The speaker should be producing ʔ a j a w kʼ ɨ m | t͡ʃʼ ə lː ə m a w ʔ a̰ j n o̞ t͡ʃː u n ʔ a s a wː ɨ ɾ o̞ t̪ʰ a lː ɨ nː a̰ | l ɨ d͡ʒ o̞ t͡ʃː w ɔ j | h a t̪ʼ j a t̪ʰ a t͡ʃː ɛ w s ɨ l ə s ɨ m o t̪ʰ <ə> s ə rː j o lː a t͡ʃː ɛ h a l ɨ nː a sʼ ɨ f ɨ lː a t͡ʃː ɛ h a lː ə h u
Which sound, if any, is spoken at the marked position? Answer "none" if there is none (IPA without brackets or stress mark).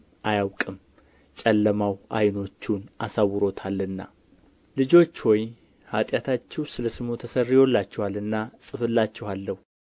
ə